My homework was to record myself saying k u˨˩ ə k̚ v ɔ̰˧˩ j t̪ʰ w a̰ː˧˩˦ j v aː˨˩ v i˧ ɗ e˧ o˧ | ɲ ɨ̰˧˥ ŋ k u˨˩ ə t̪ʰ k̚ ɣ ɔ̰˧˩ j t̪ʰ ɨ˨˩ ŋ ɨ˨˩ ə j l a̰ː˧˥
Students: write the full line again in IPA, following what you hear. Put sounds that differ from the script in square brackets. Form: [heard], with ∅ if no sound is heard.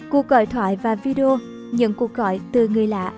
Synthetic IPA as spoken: k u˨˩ ə k̚ [ɣ] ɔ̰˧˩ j t̪ʰ w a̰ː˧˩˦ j v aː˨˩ v i˧ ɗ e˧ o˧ | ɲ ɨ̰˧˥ ŋ k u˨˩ ə [∅] k̚ ɣ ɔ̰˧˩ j [t̪] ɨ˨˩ ŋ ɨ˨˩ ə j l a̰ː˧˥